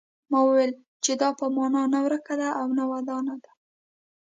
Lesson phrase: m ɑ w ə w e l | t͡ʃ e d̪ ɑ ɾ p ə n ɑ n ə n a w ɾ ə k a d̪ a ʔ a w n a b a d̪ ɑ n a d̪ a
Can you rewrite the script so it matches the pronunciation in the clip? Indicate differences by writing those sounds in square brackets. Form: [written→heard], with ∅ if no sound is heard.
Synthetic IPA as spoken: m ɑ w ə w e l | t͡ʃ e d̪ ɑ [ɾ→∅] p ə [n→m] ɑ n [ə→ɑ] n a w ɾ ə k a d̪ a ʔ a w n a [b→w] a d̪ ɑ n a d̪ a